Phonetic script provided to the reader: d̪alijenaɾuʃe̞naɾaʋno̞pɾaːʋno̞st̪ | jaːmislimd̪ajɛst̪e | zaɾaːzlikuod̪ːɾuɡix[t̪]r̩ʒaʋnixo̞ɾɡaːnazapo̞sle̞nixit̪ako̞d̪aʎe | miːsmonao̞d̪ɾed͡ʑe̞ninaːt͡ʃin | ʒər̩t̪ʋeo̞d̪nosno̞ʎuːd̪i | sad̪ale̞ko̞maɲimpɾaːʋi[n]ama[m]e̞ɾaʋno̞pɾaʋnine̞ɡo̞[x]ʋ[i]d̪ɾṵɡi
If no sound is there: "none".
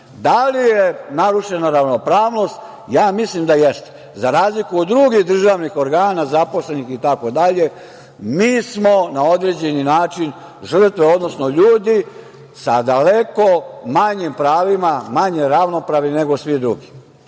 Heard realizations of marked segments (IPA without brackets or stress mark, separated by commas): d̪, m, ɲ, s, i